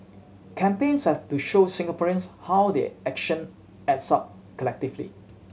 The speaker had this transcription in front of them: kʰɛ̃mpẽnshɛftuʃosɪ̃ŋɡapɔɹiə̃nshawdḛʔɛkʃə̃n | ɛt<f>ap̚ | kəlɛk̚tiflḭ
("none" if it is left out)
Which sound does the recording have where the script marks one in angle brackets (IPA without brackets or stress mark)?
s